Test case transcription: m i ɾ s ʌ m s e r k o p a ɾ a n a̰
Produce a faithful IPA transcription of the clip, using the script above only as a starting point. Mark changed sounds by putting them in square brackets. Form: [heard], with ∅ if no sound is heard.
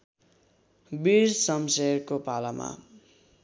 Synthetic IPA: [b] i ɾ s ʌ m s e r k o p a [l] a [m] a̰